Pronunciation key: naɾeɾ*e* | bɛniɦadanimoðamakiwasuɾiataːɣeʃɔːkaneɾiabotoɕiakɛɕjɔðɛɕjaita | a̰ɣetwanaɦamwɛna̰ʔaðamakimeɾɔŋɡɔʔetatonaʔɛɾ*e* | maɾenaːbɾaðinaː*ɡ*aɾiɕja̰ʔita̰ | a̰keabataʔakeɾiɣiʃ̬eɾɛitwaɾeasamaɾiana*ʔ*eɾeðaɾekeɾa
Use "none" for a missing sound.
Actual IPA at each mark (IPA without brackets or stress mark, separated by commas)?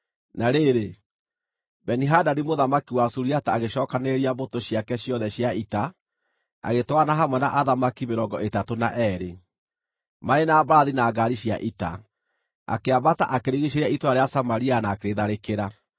e, e, ɡ, k